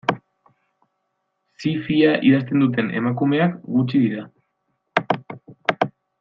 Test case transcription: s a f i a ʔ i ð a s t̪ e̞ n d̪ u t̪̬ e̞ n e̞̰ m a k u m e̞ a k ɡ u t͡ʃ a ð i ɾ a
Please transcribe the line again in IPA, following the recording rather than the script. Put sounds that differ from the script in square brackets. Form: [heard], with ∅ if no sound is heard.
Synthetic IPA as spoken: s [i] f i a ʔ i ð a s t̪ e̞ n d̪ u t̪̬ e̞ n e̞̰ m a k u m e̞ a k ɡ u t͡ʃ [i] ð i ɾ a